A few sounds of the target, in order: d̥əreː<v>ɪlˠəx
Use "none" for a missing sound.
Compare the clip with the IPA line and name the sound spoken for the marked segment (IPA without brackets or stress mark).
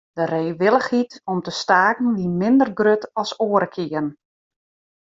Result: ʋ